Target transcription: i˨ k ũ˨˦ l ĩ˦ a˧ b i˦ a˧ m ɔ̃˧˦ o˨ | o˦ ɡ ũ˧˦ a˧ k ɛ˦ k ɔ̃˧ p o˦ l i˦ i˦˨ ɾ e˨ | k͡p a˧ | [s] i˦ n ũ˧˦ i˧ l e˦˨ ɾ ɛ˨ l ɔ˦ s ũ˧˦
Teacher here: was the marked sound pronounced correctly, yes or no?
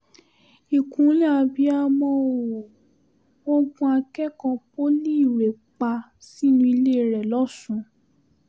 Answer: yes